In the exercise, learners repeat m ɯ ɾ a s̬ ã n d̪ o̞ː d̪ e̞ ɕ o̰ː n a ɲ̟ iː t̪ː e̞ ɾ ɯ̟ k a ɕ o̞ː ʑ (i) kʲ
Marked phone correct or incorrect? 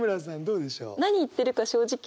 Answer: correct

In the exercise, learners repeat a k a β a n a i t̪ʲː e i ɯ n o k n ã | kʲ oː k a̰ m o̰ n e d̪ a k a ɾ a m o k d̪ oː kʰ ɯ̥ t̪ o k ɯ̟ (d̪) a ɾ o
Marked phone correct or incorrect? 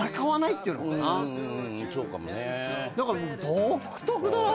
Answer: correct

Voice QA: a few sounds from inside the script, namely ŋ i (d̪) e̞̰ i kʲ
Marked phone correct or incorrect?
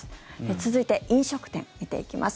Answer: incorrect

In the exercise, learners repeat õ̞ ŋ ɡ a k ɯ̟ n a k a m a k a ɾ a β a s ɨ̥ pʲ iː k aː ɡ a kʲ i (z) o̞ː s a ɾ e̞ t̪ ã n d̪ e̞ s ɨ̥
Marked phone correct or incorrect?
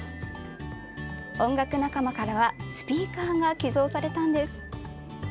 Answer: correct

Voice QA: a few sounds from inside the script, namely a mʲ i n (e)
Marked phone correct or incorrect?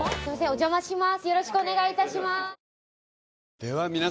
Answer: incorrect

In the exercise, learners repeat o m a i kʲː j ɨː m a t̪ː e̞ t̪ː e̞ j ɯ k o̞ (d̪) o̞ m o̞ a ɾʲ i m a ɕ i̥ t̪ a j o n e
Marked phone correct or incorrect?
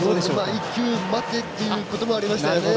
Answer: incorrect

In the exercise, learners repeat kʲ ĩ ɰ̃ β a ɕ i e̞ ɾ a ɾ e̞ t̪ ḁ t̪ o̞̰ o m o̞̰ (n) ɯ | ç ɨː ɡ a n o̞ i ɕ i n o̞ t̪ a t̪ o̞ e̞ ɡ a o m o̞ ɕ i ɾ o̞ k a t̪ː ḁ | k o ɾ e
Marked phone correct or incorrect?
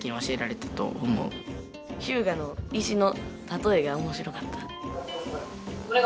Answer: incorrect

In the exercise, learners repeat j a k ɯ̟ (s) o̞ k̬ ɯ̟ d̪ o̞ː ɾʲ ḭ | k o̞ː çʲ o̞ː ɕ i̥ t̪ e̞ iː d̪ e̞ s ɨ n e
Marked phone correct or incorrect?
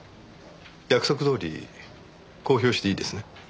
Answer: correct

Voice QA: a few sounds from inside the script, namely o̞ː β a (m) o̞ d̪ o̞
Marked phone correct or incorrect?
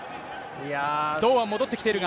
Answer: correct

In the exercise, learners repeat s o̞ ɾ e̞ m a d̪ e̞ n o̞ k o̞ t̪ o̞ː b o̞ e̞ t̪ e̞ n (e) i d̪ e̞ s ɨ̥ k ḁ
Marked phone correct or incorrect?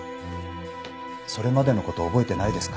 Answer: incorrect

